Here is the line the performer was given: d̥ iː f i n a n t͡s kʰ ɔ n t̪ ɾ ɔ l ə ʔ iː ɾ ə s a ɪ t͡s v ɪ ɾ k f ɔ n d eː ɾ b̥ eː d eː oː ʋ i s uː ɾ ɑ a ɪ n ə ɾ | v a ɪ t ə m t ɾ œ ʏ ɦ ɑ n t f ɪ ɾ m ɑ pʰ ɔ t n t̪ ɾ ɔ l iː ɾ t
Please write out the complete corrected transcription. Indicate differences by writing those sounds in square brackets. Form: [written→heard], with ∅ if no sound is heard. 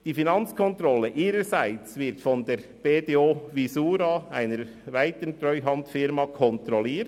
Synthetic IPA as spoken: d̥ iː f i n [a→ɑ] n t͡s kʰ ɔ n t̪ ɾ ɔ l ə ʔ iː ɾ ə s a ɪ t͡s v ɪ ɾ [k→t] f ɔ n d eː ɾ b̥ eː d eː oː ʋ i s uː ɾ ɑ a ɪ n ə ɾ | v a ɪ t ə [m→n] t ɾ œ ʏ ɦ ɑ n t f ɪ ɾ m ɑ [pʰ→kʰ] ɔ [t→∅] n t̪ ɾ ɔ l iː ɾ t